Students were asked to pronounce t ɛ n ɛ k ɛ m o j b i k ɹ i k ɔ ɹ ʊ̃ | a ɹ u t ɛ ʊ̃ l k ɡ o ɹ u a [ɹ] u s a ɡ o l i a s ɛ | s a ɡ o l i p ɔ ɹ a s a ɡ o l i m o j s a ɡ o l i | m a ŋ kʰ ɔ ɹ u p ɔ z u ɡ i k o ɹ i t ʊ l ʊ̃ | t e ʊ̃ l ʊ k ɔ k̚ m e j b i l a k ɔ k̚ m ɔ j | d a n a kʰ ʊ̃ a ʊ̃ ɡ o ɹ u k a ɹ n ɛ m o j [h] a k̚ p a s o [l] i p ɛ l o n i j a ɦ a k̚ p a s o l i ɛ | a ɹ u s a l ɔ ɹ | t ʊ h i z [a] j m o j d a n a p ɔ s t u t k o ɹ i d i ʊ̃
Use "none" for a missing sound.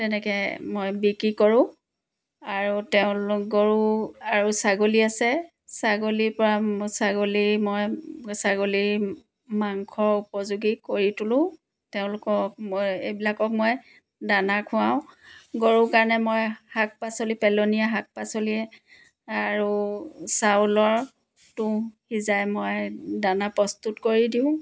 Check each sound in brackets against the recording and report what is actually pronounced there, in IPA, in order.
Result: ɹ, h, l, a

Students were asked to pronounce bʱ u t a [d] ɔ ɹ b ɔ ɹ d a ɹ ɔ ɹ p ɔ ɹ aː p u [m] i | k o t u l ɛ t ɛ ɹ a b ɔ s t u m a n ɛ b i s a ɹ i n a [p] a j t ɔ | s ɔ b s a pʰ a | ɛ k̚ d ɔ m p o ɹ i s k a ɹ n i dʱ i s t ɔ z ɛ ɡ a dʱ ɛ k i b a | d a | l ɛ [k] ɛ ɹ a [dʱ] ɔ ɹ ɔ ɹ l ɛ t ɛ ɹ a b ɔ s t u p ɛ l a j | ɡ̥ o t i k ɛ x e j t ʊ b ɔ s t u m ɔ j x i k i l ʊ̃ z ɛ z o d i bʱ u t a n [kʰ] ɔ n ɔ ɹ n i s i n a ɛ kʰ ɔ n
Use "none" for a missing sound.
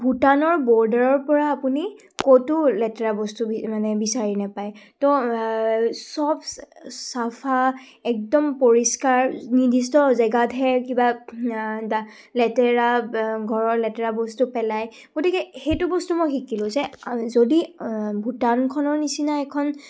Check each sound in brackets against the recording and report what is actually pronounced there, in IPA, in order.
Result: n, n, p, t, ɡʱ, kʰ

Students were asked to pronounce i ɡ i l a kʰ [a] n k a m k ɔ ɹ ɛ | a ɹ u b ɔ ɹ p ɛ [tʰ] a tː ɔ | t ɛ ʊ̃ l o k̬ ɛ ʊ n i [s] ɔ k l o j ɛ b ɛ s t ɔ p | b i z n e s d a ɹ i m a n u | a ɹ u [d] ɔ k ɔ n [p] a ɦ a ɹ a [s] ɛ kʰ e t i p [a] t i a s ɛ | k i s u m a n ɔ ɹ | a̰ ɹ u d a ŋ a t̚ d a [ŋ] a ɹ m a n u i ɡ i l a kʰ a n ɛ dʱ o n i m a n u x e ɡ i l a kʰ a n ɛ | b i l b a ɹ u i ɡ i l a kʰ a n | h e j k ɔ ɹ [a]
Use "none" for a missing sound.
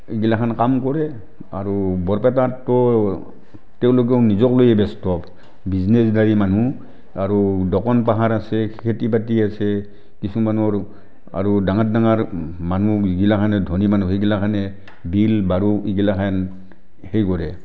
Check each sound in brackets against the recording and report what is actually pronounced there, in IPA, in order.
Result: a, t, z, d, p, s, a, ŋ, ɛ

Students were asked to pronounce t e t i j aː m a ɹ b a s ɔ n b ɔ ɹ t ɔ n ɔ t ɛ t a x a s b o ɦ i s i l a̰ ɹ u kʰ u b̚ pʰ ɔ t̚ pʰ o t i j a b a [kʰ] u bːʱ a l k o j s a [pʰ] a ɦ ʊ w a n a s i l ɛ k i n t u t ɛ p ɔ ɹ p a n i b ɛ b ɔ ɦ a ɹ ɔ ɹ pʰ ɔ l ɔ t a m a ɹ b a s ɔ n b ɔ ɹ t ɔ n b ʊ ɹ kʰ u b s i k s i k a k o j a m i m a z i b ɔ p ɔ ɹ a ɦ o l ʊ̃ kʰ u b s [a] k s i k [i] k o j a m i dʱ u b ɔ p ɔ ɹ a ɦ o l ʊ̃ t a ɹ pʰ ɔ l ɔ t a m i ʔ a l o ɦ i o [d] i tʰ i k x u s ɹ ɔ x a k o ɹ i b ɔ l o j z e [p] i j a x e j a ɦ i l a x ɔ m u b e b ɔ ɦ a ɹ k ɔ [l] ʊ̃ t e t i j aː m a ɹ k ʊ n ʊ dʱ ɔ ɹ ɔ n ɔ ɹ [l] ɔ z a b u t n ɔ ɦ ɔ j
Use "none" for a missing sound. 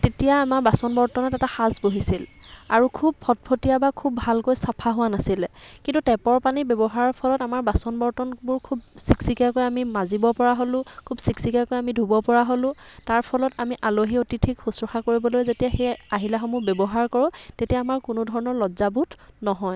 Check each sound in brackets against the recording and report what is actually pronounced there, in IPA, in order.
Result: kʰ, pʰ, i, a, t, t, ɹ, l

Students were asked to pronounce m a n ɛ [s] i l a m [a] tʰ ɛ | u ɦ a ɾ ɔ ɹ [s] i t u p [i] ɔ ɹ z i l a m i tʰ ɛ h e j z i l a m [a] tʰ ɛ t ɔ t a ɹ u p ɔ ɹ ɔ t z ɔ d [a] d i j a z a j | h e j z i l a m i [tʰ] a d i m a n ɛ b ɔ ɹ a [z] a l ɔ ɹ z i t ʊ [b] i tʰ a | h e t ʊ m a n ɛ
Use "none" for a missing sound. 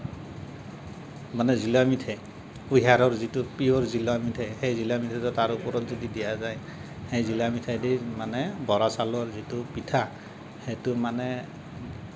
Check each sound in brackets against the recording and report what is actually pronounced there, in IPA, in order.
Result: z, i, z, i, i, i, tʰ, s, p

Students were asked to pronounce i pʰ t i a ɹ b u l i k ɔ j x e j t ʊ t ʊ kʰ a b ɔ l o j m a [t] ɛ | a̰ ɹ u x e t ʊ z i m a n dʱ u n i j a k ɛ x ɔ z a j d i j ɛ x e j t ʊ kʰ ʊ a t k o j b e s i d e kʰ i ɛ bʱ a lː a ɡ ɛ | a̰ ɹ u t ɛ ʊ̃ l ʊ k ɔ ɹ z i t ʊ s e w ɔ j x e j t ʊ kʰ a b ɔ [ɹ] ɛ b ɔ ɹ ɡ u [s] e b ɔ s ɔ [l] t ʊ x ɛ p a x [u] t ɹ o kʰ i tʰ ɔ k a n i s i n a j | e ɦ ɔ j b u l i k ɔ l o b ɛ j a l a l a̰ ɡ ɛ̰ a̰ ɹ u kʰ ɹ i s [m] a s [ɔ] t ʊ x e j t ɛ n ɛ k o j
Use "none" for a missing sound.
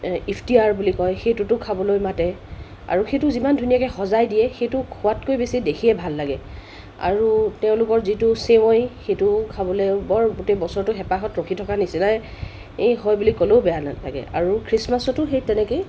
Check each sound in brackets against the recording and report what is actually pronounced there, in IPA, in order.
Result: t, l, t, ɹ, ɔ, m, ɔ

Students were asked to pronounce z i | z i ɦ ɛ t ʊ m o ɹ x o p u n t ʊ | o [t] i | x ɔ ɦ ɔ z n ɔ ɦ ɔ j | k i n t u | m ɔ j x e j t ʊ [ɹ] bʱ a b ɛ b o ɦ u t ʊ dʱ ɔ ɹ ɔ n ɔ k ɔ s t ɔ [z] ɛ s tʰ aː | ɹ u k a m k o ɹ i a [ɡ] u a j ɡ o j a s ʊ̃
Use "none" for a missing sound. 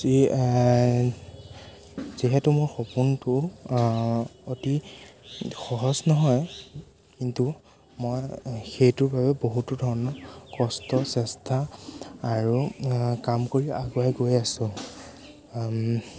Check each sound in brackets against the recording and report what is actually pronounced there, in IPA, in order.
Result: t, ɹ, s, ɡ

